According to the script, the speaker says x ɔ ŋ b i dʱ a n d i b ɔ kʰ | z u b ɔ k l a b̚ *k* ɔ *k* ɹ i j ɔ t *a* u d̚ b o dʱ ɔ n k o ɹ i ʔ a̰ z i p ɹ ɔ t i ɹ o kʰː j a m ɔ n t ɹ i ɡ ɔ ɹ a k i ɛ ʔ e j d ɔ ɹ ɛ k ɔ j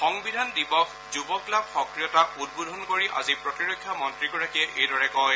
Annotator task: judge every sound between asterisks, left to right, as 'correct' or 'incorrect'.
incorrect: x, correct, correct

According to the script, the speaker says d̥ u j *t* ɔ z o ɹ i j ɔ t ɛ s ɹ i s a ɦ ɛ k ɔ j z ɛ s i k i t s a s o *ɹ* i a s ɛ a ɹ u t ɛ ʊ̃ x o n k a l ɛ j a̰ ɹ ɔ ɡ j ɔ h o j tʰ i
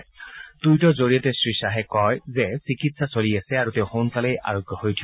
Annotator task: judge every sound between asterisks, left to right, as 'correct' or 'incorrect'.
correct, incorrect: l

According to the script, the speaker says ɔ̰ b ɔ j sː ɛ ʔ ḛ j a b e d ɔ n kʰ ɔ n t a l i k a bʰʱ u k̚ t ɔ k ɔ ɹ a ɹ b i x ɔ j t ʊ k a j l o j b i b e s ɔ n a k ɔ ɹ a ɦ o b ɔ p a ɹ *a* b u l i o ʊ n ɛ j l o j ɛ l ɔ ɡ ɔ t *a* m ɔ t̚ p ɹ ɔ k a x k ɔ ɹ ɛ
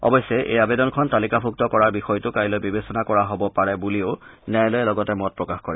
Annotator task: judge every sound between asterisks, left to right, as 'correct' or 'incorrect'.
incorrect: ɛ, incorrect: ɛ

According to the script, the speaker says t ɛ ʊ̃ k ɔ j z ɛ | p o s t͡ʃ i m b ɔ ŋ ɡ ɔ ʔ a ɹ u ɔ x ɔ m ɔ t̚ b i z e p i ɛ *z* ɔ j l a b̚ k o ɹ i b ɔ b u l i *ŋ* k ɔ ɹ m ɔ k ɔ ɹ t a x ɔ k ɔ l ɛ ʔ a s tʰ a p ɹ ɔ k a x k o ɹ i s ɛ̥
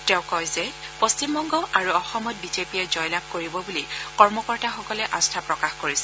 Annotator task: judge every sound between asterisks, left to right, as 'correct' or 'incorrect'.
correct, incorrect: none

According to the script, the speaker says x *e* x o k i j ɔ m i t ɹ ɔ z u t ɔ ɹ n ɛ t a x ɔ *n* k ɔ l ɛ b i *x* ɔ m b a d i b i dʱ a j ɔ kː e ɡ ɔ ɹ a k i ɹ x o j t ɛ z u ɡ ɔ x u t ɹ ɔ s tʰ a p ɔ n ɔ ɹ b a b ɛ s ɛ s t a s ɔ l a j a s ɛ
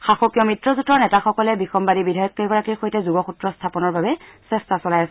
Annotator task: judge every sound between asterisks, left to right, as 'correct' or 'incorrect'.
incorrect: a, incorrect: none, correct

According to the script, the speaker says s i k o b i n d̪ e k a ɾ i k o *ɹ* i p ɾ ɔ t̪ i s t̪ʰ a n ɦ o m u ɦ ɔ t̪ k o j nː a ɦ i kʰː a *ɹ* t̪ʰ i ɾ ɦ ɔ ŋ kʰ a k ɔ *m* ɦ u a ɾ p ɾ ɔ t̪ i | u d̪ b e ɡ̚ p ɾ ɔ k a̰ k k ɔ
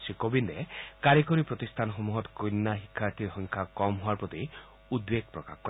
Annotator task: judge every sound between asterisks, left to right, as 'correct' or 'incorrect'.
incorrect: ɾ, incorrect: ɾ, correct

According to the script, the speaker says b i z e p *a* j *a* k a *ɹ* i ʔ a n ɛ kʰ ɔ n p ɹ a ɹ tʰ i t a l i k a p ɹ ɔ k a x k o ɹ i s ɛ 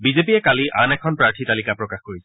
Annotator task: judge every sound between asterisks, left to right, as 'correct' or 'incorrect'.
incorrect: i, incorrect: ɛ, incorrect: l

